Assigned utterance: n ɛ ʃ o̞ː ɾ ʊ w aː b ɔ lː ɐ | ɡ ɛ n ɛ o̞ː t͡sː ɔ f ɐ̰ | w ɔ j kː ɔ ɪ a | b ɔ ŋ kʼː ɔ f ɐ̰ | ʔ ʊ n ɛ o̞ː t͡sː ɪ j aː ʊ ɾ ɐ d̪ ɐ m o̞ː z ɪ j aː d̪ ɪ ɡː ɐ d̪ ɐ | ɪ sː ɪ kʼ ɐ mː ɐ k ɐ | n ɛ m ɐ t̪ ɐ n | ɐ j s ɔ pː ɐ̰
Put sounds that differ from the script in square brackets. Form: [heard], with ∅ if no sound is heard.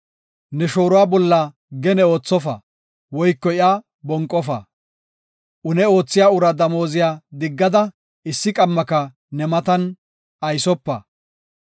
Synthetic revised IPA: n ɛ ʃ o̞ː ɾ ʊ w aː b ɔ lː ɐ | ɡ ɛ n ɛ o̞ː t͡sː ɔ f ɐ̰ | w ɔ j kː ɔ ɪ a | b ɔ ŋ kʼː ɔ f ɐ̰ | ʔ ʊ n ɛ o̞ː t͡sː ɪ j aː ʊ ɾ ɐ d̪ ɐ m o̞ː z ɪ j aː d̪ ɪ ɡː ɐ d̪ ɐ | ɪ sː ɪ kʼ ɐ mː ɐ k ɐ | n ɛ m ɐ t̪ ɐ n | ɐ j s ɔ pː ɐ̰